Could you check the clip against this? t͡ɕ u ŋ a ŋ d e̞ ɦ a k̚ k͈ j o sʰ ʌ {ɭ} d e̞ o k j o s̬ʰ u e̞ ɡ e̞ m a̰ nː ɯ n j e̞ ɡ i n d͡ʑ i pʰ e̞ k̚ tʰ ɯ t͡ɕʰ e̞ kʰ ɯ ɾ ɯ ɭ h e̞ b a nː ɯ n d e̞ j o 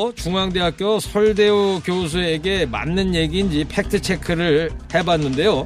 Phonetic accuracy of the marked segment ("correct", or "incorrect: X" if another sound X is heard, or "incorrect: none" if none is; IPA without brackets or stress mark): correct